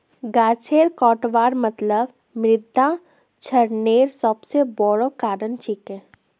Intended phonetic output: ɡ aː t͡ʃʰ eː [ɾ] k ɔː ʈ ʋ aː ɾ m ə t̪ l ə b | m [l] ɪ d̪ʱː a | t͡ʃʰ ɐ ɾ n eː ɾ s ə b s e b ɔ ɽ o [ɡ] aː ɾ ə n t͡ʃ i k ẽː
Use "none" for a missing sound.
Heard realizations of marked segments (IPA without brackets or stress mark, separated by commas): ɾ, ɾ, k